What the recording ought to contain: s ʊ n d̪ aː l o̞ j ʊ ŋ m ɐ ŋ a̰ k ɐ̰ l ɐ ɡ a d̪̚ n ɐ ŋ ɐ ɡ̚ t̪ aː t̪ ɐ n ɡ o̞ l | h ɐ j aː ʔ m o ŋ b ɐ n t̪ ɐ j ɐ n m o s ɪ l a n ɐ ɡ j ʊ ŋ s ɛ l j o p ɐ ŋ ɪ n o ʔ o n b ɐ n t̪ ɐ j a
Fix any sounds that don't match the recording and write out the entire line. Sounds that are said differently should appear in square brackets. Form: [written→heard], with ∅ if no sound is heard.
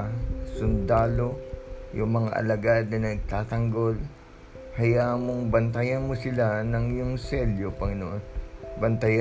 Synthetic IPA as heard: s ʊ n d̪ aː l o̞ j ʊ ŋ m ɐ ŋ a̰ [k→ʔ] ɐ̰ l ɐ ɡ a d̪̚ n ɐ [ŋ→n] ɐ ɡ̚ t̪ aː t̪ ɐ [n→ŋ] ɡ o̞ l | h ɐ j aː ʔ m o ŋ b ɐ n t̪ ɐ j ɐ n m o s ɪ l a n ɐ [ɡ→ŋ] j ʊ ŋ s ɛ l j o p ɐ ŋ ɪ n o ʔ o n b ɐ n t̪ ɐ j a